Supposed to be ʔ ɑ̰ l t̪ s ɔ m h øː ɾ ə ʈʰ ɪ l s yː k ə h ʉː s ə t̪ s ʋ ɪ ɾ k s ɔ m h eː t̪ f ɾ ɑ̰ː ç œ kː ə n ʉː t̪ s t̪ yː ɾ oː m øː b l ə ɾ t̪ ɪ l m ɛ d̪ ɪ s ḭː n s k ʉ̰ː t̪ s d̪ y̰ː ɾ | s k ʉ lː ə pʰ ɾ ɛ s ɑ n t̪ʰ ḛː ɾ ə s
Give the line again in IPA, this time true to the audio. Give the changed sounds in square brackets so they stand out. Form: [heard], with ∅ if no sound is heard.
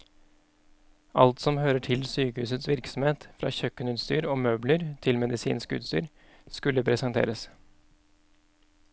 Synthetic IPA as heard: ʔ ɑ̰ l t̪ s ɔ m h øː ɾ ə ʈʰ ɪ l s yː k ə h ʉː s ə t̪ s ʋ ɪ ɾ k s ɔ m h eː t̪ f ɾ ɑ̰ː ç œ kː ə n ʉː t̪ s t̪ yː ɾ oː m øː b l ə ɾ [t̪ʰ] ɪ l m ɛ d̪ ɪ s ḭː n s k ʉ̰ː t̪ s [t̪] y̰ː ɾ | s k ʉ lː ə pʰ ɾ ɛ s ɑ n t̪ʰ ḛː ɾ ə s